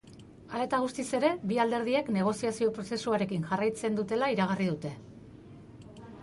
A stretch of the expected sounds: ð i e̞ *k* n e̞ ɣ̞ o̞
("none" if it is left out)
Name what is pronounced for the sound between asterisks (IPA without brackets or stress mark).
k